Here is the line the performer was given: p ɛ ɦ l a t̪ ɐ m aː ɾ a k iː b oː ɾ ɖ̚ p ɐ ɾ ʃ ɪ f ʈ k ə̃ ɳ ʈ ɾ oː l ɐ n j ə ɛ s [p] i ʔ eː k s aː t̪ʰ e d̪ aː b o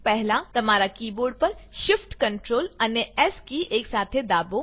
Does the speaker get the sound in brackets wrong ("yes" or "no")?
yes